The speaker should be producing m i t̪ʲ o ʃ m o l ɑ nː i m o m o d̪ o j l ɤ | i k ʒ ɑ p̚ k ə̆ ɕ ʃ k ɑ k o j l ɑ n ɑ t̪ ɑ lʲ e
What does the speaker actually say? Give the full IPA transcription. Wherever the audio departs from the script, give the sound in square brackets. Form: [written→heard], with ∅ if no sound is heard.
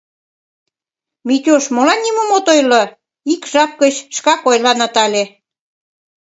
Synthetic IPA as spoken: m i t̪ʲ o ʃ m o l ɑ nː i m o m o [d̪→t̪] o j l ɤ | i k ʒ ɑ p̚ k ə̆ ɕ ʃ k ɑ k o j l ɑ n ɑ t̪ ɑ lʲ e